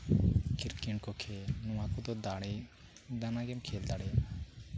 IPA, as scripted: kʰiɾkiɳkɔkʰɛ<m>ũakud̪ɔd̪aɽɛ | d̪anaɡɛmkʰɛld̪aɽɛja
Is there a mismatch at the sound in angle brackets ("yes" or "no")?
yes